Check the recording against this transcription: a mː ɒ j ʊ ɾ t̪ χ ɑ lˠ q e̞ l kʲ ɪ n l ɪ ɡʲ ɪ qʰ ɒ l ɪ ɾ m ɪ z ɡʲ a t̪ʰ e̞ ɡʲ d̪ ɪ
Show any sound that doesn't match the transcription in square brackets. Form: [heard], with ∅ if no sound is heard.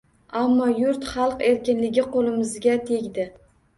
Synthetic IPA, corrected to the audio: a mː ɒ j ʊ ɾ t̪ χ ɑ lˠ q e̞ [ɾ] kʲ ɪ n l ɪ ɡʲ ɪ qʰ [o] l ɪ [∅] m ɪ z ɡʲ a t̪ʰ e̞ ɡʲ d̪ ɪ